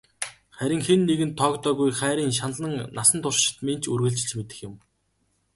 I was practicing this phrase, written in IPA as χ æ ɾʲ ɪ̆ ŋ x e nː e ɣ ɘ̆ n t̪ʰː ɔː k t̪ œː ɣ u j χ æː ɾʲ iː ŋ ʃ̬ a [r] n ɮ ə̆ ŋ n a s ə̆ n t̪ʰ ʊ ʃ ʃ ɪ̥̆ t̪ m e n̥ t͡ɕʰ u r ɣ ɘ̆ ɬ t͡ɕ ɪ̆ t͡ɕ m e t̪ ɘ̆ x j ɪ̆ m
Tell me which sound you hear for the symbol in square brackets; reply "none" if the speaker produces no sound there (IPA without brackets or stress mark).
none